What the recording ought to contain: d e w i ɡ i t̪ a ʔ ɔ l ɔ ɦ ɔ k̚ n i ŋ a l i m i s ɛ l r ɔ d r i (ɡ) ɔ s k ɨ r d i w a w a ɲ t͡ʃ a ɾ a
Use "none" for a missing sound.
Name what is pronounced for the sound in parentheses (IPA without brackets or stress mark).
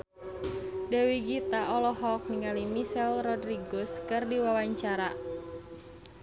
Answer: ɡ